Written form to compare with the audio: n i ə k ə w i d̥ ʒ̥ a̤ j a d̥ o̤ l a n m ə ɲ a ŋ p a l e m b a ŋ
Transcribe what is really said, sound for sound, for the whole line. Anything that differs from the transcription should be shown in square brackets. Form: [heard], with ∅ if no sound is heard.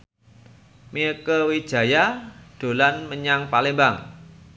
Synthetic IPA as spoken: [m] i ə k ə w i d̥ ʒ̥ a̤ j a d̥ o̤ l a n m ə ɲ a ŋ p a l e m b a ŋ